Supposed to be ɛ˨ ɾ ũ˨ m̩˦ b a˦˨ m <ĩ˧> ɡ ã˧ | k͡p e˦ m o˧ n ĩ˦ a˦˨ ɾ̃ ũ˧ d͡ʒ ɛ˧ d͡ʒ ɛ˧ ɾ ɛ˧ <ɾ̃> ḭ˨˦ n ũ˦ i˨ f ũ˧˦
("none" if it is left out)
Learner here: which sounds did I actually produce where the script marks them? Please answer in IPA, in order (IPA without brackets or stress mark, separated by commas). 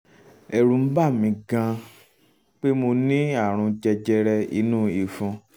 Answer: ĩ˧, none